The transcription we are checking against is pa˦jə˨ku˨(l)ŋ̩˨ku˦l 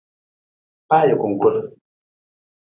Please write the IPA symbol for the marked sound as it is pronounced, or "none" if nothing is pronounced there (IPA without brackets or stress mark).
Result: none